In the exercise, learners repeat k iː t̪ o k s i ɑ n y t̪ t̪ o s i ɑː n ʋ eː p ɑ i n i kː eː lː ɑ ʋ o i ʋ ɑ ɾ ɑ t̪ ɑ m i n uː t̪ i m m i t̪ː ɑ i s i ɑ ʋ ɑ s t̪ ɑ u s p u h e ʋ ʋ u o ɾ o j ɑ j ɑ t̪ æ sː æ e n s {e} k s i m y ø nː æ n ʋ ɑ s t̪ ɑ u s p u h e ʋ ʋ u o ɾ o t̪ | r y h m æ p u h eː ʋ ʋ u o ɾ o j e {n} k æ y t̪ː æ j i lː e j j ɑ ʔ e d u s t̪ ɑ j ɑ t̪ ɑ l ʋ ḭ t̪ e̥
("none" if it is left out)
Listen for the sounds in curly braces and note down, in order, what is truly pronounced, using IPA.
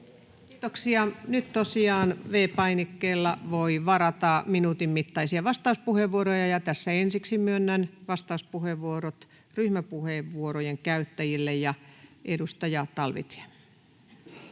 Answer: i, ŋ

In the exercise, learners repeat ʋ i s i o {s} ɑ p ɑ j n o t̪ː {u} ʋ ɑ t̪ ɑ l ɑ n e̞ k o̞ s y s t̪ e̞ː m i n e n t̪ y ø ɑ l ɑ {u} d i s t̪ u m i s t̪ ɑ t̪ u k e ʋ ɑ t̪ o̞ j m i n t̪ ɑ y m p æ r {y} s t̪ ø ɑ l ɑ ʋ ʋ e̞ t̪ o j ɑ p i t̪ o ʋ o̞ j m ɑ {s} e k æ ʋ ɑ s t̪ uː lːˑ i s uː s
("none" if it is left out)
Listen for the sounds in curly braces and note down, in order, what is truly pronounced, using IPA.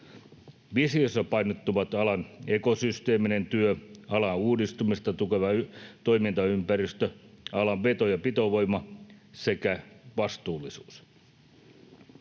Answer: sː, u, uː, i, s

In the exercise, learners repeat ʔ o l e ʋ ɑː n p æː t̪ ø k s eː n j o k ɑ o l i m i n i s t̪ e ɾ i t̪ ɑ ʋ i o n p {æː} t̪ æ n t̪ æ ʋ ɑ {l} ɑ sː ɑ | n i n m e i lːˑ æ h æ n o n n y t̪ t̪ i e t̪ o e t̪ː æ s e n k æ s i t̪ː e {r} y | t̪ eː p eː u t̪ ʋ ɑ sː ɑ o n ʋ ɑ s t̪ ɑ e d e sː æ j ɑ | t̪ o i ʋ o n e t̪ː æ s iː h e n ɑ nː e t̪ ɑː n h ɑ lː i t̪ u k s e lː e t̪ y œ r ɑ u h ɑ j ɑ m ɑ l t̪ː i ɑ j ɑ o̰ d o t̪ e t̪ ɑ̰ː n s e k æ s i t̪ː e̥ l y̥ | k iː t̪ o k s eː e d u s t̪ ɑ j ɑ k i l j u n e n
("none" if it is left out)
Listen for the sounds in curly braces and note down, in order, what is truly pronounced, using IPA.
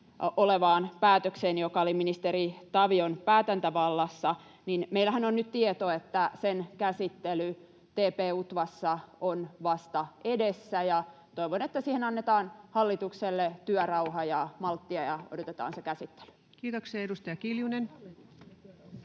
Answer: æː, lː, l

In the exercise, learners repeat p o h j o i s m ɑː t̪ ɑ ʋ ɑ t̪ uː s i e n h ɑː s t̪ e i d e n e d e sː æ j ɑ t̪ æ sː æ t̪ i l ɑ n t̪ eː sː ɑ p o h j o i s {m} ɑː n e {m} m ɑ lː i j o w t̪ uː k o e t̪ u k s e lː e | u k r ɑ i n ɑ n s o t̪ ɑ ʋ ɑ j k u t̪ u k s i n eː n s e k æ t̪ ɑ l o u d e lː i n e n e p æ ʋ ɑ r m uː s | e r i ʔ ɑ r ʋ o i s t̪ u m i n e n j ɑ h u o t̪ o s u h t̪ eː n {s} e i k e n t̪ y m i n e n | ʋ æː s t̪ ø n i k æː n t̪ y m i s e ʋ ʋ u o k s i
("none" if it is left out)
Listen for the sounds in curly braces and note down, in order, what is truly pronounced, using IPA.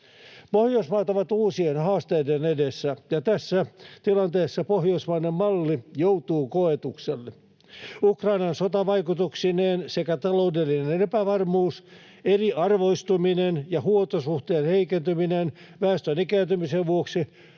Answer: m, m, h

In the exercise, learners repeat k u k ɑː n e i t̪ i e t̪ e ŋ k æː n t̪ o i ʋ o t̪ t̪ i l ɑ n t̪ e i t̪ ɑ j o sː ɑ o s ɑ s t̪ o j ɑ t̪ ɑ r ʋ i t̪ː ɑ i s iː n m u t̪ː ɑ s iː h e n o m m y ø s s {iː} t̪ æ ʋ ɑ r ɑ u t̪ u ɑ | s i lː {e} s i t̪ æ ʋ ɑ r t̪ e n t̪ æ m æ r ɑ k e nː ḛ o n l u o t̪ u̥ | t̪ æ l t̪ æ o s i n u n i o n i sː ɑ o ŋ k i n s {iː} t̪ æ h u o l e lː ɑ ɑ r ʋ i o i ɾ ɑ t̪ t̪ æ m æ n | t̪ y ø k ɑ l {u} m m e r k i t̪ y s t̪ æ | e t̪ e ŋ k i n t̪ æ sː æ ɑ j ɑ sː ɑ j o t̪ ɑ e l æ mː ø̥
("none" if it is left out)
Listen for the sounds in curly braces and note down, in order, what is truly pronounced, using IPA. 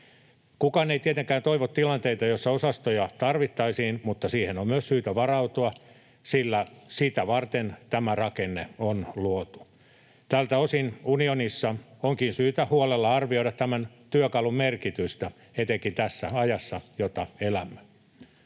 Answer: yː, æ, yː, u

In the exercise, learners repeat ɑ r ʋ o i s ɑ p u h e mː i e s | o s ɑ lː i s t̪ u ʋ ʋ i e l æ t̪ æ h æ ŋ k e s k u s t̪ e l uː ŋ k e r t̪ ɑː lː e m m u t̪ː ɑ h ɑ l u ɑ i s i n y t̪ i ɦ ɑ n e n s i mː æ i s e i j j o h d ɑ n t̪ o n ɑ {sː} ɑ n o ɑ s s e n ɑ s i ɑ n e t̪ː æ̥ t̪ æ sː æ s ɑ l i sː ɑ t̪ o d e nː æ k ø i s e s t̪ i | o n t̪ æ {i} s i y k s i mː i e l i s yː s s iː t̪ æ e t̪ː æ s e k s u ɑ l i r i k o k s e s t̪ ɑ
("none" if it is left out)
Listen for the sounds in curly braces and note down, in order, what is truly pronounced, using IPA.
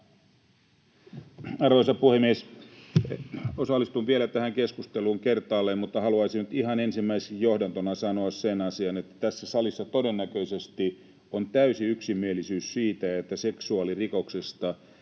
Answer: s, y

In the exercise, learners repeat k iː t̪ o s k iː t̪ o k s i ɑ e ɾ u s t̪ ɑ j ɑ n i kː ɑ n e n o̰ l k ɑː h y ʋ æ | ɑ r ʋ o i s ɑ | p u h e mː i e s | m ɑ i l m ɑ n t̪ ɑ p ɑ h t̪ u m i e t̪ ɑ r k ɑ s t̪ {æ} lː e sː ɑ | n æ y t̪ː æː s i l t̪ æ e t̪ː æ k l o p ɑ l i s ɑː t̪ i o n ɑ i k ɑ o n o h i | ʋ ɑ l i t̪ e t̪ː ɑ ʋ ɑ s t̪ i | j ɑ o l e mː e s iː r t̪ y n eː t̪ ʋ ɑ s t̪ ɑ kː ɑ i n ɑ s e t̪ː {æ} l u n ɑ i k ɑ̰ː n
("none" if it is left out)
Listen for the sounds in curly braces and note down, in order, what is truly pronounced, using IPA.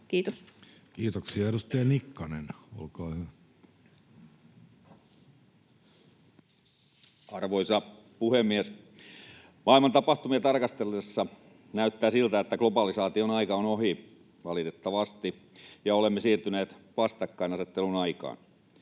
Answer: e, e

